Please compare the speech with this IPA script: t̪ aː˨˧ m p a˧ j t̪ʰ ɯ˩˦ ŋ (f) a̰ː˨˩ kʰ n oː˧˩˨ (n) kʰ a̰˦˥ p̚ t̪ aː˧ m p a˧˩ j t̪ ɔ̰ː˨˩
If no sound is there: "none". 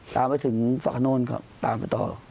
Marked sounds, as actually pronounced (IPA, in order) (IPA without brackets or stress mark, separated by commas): f, n